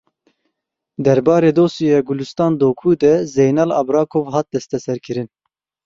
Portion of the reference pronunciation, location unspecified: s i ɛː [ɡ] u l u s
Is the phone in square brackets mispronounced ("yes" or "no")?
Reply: no